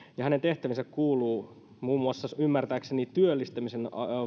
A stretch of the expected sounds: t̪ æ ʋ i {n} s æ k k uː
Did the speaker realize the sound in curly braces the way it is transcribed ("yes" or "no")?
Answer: yes